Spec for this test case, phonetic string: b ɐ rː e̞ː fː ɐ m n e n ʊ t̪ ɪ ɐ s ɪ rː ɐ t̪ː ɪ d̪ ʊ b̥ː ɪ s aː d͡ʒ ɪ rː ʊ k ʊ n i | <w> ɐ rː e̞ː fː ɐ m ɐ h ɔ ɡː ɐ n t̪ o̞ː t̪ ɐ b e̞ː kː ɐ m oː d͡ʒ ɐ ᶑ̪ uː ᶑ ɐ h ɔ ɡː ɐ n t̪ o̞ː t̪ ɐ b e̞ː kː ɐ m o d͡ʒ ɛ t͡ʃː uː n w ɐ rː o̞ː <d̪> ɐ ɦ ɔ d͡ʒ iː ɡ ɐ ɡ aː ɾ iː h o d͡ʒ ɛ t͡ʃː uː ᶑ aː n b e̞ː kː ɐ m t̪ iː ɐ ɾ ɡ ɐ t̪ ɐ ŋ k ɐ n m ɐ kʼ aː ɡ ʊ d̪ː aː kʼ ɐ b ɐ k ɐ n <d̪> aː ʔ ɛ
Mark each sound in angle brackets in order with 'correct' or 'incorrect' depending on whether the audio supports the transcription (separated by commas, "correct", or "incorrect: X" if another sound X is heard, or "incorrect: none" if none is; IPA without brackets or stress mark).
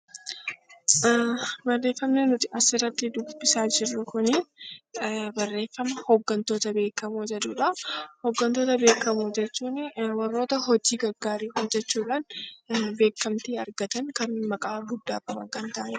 incorrect: b, incorrect: t̪, incorrect: t̪